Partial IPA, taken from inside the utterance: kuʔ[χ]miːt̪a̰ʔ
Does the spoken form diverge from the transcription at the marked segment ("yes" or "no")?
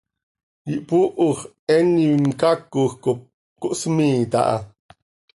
yes